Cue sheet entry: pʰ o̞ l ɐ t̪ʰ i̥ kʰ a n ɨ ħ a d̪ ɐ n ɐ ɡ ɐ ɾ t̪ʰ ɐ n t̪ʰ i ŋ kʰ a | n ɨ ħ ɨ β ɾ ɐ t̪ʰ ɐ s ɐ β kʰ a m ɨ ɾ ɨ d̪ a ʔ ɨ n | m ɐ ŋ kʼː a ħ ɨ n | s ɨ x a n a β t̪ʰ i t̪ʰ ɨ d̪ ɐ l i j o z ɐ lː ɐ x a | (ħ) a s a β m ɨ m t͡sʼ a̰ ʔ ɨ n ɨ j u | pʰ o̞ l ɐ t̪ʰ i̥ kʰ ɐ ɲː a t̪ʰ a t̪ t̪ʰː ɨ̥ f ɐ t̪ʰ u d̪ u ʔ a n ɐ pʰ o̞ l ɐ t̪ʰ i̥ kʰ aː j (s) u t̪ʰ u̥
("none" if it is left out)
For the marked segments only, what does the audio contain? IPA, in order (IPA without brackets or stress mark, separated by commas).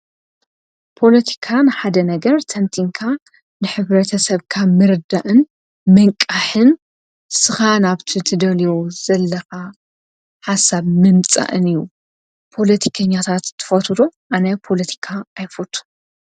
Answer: ħ, f